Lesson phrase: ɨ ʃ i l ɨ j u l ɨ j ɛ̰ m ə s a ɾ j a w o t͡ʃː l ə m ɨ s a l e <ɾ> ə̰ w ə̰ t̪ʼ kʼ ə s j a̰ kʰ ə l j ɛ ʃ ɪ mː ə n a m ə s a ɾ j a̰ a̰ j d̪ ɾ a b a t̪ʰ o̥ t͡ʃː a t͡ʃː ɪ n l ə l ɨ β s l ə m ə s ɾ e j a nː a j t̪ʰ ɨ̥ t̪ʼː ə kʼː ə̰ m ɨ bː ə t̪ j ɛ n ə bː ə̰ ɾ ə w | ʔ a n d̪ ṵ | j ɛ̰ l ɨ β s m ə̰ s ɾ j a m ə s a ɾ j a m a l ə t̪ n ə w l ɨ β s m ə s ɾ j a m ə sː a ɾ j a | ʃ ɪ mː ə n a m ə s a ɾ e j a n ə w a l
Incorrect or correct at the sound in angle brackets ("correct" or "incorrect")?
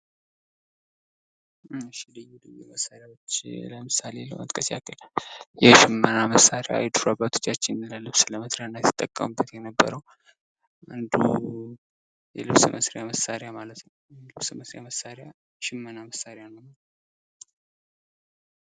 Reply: incorrect